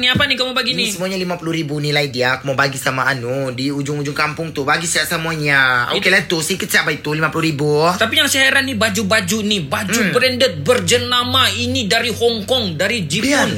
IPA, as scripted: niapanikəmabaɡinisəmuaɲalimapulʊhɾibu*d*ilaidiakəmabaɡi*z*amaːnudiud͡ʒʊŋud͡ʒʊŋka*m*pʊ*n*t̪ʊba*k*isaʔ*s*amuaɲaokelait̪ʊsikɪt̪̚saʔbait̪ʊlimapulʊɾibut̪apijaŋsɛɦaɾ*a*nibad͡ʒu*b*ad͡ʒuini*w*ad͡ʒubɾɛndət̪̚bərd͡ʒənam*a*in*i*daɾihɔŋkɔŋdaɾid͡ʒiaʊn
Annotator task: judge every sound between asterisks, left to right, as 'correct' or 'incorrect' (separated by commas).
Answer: incorrect, incorrect, correct, incorrect, incorrect, correct, correct, correct, incorrect, correct, correct